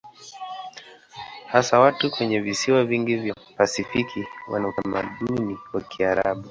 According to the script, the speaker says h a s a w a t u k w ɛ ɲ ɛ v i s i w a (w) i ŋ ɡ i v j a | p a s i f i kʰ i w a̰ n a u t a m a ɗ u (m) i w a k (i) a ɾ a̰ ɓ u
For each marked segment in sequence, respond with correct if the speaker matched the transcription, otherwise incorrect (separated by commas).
incorrect, incorrect, correct